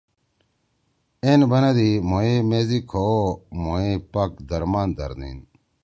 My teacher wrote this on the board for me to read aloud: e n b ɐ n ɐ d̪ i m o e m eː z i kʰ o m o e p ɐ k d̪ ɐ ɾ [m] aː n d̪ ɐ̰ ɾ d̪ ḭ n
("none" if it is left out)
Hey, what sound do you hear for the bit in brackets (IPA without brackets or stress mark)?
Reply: m